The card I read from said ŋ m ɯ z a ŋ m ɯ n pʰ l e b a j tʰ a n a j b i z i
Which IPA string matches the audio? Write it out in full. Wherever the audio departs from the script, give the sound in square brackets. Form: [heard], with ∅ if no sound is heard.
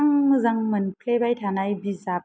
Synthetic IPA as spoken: ŋ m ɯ z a ŋ m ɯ n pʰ l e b a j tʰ a n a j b i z [a]